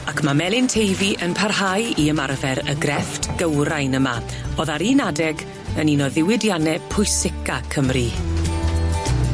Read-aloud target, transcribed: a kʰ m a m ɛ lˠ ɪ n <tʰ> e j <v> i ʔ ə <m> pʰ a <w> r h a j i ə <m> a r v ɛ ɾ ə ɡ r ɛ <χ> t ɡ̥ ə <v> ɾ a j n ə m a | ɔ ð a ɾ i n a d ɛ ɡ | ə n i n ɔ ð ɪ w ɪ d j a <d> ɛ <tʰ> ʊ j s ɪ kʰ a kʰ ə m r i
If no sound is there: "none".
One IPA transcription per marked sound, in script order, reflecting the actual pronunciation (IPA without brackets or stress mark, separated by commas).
tʰ, v, n, none, m, f, w, n, pʰ